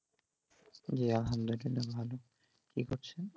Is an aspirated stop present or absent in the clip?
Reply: present